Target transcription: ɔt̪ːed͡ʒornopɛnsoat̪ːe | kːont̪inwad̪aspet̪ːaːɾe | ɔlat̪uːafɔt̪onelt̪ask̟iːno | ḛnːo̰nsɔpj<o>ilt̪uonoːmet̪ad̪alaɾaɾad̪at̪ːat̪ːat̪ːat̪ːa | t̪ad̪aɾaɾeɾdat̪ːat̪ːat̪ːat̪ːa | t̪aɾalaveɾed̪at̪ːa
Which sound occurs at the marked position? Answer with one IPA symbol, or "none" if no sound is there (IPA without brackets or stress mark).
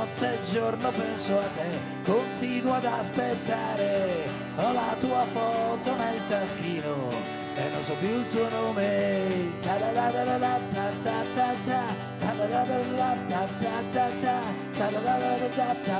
u